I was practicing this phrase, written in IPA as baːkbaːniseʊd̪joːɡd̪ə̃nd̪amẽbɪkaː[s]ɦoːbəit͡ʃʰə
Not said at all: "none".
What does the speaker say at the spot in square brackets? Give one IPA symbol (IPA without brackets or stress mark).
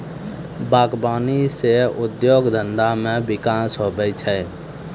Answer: s